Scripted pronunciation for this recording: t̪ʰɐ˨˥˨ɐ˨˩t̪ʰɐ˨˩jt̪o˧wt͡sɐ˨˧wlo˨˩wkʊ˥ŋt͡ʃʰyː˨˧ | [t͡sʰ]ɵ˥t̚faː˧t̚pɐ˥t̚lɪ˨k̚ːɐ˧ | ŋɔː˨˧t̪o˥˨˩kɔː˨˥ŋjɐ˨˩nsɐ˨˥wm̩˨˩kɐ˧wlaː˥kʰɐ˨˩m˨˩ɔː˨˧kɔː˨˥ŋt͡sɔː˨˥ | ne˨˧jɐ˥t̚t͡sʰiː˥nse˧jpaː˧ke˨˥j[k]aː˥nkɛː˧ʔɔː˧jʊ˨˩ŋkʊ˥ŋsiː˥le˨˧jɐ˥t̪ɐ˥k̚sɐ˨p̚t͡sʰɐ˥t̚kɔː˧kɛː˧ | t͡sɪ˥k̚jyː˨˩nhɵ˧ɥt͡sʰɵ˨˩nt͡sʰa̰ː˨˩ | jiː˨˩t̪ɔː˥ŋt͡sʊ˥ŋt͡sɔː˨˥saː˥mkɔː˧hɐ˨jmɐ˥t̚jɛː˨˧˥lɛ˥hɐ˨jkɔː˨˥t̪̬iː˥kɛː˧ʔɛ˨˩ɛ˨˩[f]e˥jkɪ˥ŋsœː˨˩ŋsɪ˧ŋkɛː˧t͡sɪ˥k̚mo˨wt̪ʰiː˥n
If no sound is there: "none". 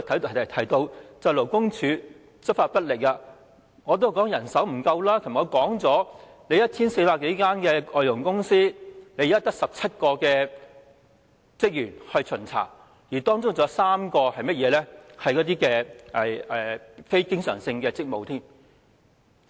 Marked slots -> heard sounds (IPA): t͡s, k, f

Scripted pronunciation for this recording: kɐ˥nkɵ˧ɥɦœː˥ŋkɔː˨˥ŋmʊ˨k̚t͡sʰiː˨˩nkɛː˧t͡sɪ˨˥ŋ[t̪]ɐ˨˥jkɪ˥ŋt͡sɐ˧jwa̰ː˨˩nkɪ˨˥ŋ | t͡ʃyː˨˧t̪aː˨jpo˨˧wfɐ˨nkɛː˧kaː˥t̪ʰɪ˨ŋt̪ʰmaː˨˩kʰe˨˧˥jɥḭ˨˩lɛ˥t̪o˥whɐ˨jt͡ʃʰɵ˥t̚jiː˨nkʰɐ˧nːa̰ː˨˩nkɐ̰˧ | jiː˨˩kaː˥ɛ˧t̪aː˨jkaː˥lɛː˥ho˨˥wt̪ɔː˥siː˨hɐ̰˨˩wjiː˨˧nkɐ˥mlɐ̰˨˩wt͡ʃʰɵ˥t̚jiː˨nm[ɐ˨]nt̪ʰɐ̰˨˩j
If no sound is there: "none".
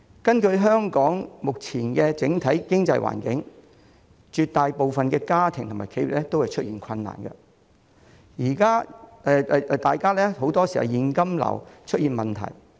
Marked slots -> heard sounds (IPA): t̪ʰ, ɐ˨

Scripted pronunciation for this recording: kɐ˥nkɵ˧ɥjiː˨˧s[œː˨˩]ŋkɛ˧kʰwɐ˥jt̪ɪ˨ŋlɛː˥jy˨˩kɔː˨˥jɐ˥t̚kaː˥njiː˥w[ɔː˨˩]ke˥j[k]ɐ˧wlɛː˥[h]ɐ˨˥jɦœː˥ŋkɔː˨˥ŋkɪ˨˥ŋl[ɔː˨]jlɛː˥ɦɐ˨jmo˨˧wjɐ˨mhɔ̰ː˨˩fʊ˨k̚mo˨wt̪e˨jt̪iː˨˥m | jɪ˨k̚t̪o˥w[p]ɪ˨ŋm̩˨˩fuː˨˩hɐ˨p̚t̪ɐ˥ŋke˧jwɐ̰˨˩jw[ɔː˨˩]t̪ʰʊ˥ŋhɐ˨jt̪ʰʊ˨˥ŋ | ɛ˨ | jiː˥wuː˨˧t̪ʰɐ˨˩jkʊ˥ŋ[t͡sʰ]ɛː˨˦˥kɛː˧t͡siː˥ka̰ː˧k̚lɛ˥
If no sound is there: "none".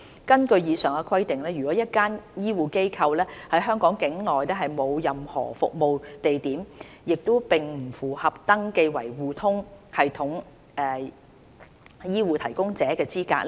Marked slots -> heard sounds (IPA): œː˨˩, uː˨˩, kʰ, h, ɔː˨, p, uː˨˩, t͡s

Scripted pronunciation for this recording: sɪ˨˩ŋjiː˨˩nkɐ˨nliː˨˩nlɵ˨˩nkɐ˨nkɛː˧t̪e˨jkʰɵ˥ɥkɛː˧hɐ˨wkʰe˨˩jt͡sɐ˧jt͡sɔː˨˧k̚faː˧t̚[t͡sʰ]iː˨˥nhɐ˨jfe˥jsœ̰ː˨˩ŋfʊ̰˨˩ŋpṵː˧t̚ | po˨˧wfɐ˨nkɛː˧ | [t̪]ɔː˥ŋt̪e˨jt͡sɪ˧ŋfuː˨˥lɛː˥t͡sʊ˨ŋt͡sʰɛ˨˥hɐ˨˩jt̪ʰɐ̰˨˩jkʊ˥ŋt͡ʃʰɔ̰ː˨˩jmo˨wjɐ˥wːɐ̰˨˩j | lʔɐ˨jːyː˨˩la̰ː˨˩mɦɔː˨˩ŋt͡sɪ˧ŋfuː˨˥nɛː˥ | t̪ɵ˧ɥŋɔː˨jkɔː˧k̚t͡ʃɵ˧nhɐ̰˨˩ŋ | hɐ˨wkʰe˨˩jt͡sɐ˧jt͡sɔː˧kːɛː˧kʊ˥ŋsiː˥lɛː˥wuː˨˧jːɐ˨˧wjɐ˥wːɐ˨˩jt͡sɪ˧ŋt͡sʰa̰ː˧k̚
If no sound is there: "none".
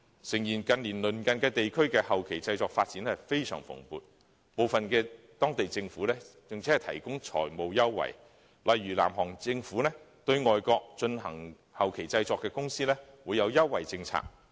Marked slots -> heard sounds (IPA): t͡s, t̪

